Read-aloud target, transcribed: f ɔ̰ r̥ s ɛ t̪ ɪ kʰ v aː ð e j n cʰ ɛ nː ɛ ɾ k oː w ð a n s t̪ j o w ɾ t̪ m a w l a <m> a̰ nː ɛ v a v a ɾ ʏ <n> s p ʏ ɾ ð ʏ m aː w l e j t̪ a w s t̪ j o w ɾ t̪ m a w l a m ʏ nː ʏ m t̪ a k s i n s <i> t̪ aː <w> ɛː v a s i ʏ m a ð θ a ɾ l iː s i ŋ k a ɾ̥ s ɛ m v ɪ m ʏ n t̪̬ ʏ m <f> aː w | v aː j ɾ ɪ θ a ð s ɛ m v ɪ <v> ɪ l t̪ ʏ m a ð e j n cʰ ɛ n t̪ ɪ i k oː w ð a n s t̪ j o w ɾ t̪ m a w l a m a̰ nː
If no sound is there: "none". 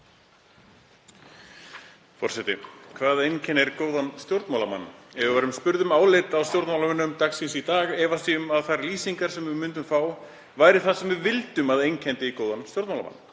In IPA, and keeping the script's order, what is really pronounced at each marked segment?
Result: m, m, i, ɣ, f, v

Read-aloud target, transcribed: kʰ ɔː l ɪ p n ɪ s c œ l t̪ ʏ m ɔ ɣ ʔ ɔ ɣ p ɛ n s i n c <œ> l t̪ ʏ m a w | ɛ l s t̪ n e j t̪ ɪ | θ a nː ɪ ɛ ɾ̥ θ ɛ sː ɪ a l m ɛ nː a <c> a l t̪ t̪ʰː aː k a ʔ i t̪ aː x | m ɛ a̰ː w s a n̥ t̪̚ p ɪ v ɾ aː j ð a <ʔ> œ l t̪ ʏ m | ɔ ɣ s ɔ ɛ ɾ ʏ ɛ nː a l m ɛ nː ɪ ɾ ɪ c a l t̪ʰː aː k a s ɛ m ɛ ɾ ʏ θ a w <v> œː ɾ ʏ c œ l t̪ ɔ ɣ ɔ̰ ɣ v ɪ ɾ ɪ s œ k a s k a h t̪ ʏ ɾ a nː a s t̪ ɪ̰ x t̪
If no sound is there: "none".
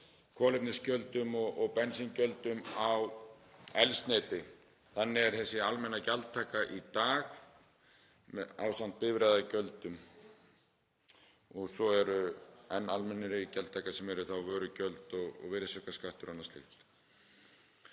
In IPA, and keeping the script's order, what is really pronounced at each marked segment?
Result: œ, c, c, v

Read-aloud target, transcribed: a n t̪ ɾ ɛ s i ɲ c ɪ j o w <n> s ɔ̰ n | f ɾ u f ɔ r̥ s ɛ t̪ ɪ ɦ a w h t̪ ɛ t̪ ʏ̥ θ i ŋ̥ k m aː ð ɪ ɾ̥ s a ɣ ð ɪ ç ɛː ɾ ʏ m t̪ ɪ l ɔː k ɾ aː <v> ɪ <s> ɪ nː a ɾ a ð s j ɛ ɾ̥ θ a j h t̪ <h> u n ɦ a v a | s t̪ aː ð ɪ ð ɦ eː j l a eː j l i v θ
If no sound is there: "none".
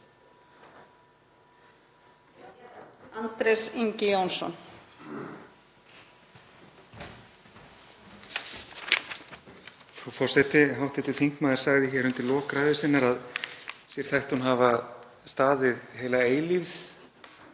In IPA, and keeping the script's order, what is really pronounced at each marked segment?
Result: n, ð, s, h

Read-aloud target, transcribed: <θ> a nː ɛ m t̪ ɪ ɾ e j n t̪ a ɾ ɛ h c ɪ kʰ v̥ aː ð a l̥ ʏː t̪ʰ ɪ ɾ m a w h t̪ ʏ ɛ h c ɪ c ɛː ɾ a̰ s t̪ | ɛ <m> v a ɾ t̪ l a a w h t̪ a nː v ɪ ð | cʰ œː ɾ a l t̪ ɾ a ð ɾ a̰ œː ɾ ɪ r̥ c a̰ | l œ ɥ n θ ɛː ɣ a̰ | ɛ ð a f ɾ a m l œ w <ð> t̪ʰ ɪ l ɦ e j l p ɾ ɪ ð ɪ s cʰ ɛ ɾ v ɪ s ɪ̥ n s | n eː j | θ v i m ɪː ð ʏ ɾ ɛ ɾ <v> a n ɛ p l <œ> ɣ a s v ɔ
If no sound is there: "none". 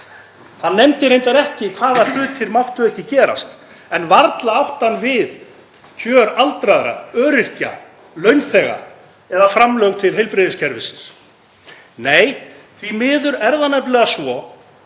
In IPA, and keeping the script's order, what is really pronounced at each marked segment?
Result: h, n, ɣ, ð, ɛ

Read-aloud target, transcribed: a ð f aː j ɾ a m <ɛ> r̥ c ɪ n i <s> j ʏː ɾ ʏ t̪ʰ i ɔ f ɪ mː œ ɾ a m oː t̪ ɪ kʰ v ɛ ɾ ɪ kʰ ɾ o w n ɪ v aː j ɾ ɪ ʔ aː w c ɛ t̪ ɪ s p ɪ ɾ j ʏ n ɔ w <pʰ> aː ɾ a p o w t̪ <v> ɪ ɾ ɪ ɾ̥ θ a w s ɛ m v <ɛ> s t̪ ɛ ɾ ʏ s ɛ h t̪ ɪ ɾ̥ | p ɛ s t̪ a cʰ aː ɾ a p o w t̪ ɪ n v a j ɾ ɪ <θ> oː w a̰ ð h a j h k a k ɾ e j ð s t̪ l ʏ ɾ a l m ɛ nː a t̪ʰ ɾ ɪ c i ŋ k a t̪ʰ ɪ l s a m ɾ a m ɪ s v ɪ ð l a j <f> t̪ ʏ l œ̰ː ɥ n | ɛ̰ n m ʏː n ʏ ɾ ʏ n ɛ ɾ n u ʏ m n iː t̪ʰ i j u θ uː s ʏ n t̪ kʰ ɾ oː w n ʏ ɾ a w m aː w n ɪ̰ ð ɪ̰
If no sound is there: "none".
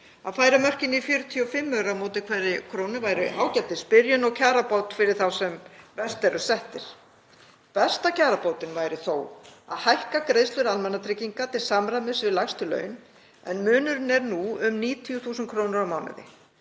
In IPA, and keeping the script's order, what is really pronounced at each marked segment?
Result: œ, f, cʰ, f, ɛ, θ, s

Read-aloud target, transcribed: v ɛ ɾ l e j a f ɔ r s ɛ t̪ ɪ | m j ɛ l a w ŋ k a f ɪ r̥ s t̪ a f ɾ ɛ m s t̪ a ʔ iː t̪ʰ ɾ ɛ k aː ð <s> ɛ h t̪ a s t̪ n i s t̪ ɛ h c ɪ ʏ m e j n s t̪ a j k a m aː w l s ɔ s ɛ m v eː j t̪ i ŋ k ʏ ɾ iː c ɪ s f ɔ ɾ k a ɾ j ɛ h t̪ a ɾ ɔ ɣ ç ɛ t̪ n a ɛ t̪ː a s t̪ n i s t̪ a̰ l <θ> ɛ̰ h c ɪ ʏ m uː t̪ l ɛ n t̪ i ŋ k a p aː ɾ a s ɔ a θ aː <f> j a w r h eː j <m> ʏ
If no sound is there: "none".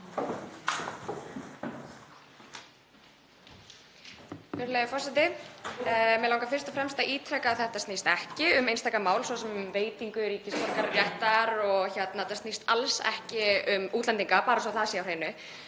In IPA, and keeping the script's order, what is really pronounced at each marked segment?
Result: θ, s, s, n

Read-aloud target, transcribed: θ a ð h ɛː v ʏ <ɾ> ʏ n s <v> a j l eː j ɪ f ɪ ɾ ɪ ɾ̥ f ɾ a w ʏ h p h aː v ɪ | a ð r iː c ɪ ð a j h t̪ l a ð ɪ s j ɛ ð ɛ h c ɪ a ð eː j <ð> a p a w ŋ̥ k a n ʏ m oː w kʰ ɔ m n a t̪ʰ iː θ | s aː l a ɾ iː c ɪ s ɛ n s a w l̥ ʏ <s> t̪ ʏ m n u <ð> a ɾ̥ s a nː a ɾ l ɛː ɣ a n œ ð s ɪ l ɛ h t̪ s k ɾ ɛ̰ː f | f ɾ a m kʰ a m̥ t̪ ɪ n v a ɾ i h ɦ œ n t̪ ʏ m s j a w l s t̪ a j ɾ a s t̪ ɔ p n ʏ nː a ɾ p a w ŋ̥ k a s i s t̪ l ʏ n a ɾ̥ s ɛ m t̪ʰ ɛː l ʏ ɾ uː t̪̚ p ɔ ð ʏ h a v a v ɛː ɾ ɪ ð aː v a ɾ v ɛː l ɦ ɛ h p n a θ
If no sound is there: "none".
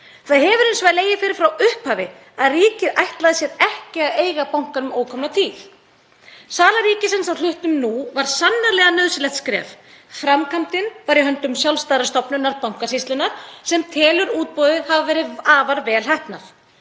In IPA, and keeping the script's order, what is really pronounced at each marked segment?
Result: ɾ, v, ɣ, h, v

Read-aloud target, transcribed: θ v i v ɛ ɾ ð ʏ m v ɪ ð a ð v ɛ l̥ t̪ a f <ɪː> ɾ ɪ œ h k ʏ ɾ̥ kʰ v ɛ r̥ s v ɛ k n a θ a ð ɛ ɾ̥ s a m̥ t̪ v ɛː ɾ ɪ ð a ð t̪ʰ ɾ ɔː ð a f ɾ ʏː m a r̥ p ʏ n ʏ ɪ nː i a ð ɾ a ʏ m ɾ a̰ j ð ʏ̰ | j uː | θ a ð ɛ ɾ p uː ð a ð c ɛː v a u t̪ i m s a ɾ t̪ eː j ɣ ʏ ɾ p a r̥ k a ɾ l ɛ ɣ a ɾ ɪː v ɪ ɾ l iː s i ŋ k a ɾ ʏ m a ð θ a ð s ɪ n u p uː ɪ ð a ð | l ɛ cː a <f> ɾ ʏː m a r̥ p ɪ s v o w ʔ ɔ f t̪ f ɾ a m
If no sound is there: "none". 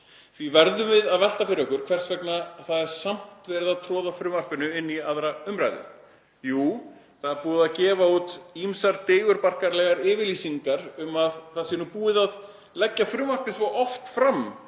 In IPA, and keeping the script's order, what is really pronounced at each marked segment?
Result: ɪ, f

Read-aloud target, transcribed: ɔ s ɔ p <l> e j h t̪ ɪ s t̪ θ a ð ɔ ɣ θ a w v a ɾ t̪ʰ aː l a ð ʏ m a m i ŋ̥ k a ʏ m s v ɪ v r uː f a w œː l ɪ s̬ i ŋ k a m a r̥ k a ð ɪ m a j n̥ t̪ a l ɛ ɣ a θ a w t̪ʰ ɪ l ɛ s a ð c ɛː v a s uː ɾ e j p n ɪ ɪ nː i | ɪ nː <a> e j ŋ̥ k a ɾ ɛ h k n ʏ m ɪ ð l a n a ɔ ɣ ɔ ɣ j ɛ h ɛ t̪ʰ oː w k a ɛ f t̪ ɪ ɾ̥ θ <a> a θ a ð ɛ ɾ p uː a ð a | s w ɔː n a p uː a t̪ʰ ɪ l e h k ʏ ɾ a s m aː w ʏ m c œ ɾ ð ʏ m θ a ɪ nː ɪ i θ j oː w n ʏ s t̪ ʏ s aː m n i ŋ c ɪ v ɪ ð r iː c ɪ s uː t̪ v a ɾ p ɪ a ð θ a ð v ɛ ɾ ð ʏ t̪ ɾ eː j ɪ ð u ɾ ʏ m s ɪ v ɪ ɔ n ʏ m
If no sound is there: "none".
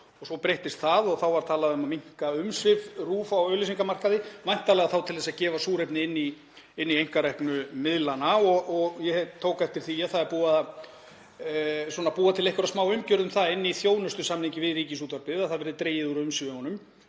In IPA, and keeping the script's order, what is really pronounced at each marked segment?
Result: ɾ, i, i

